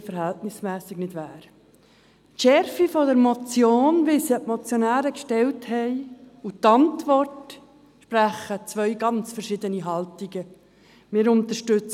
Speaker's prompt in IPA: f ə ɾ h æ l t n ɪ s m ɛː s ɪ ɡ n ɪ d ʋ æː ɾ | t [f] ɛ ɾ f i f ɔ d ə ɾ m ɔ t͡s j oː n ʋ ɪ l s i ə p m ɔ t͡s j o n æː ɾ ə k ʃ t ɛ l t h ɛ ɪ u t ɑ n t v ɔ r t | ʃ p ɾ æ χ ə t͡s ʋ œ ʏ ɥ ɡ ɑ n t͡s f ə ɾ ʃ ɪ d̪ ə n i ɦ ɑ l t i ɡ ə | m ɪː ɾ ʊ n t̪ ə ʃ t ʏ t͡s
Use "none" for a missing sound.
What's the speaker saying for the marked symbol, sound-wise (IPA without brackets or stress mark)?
ʃ